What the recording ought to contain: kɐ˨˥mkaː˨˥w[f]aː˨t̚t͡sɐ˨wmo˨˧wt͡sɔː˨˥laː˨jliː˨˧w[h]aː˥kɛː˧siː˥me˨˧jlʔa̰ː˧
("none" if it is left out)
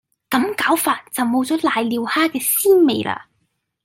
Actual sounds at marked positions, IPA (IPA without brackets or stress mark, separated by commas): f, h